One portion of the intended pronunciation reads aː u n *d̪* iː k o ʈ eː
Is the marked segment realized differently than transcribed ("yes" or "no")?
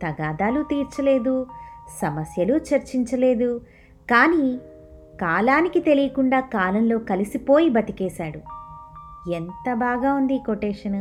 no